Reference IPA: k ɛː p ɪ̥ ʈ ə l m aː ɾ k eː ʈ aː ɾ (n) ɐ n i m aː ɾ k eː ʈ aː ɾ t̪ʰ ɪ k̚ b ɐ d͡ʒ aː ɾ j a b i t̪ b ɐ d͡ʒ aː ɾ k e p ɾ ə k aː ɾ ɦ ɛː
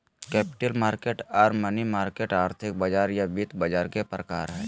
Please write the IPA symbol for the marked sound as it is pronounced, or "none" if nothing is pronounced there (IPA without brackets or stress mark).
m